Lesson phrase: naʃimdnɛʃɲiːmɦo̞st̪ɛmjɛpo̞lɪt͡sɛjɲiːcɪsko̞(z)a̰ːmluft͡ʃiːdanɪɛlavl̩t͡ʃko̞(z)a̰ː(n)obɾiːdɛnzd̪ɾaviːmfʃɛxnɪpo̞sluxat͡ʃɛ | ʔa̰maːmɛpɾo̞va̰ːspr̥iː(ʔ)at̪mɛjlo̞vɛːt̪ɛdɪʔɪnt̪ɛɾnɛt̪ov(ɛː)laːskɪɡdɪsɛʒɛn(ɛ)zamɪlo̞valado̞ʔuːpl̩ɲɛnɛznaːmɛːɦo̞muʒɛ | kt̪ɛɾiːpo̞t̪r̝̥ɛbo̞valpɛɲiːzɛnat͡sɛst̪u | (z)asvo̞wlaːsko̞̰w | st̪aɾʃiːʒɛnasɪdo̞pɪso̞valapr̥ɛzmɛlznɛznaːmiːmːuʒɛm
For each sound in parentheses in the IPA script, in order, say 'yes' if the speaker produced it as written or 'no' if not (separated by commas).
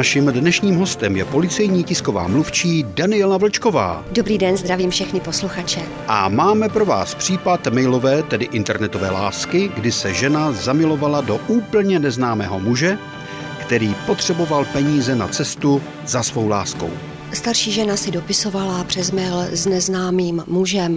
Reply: no, no, no, no, yes, no, yes